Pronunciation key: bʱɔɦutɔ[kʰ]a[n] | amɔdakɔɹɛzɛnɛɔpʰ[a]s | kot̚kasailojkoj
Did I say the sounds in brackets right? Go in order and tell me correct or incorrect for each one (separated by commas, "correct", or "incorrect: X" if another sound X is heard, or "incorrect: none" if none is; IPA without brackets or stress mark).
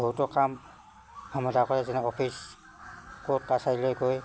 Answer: incorrect: k, incorrect: m, incorrect: i